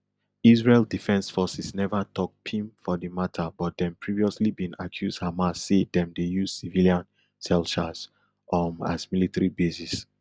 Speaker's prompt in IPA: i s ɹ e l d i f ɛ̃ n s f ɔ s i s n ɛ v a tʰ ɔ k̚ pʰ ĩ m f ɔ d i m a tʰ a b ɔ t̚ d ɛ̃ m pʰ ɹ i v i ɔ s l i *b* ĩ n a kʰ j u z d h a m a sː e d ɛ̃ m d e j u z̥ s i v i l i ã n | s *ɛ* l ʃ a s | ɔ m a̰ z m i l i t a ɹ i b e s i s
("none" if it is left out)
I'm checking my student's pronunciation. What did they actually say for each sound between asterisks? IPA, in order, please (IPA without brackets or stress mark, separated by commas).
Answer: b, ɛ